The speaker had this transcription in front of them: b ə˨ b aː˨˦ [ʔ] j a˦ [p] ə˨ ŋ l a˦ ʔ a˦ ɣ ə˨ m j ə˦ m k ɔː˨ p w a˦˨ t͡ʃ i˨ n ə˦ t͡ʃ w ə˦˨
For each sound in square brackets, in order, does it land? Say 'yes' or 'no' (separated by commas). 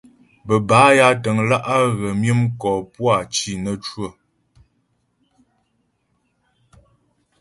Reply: no, no